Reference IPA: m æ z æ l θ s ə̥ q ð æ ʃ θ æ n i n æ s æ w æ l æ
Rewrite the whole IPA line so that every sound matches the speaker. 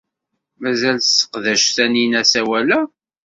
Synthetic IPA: m æ z æ l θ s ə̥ q ð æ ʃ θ æ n i n æ s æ w æ l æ